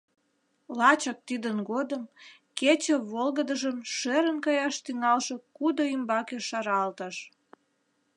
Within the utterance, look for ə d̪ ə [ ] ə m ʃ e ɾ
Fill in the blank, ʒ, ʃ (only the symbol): ʒ